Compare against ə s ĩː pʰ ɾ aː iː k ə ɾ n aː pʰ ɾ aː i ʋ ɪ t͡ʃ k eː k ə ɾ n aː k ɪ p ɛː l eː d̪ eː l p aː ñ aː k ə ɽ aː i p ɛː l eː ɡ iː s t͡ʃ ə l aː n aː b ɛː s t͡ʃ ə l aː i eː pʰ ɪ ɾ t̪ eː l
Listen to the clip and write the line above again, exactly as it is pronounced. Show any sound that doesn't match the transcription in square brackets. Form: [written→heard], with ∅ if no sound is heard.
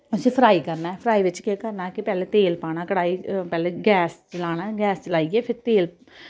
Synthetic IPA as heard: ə s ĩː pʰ ɾ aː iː k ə ɾ n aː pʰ ɾ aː i ʋ ɪ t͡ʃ k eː k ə ɾ n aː k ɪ p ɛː l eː [d̪→t̪] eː l p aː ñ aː k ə ɽ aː i p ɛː l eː ɡ [iː→ɛː] s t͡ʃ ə l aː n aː [b→ɡ] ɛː s t͡ʃ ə l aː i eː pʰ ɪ ɾ t̪ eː l